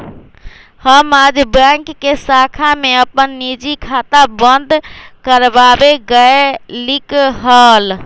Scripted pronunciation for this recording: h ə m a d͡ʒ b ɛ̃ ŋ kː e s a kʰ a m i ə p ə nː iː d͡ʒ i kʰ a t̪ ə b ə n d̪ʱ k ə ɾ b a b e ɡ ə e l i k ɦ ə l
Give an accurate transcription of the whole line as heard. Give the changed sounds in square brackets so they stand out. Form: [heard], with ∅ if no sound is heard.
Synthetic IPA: h ə m a d͡ʒ b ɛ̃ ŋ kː e s a kʰ a m [e] ə p ə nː [i] d͡ʒ i kʰ a t̪ [a] b ə n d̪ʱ k ə ɾ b a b e ɡ ə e l i k ɦ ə l